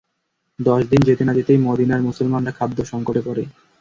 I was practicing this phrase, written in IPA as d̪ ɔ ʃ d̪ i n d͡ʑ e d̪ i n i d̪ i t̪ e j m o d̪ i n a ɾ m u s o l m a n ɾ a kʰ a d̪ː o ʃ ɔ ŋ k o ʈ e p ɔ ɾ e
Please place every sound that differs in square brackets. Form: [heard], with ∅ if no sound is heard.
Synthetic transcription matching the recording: d̪ ɔ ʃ d̪ i n d͡ʑ e [t̪] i n [a] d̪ i t̪ e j m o d̪ i n a ɾ m u s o l m a n ɾ a kʰ a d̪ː o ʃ ɔ ŋ k o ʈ e p ɔ ɾ e